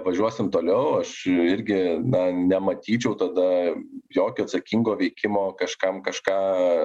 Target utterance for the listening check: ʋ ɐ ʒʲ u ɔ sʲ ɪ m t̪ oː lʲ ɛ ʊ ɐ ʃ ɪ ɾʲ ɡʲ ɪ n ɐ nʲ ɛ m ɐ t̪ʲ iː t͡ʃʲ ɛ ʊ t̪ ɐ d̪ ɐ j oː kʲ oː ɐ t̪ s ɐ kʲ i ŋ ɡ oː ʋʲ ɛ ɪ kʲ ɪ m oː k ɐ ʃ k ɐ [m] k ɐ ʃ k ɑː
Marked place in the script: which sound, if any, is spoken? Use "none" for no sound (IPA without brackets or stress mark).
m